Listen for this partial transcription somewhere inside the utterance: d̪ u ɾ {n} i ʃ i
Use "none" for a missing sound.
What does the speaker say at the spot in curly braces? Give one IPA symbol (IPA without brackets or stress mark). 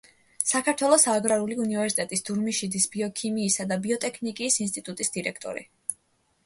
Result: m